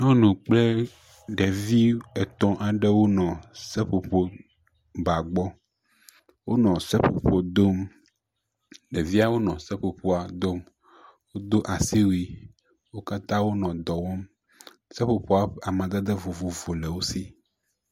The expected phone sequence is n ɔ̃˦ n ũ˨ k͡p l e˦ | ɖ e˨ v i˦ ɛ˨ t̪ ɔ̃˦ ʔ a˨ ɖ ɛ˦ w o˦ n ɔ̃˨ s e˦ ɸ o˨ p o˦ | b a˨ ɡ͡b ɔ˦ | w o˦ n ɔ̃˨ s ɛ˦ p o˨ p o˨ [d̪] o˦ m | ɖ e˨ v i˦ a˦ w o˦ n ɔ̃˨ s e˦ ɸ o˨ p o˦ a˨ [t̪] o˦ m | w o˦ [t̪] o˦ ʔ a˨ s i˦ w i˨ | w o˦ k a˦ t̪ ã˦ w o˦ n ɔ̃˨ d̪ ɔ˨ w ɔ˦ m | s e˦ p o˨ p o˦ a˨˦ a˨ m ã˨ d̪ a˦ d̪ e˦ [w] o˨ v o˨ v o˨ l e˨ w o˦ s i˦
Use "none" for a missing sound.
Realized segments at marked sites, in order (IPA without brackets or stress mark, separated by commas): d̪, d̪, d̪, v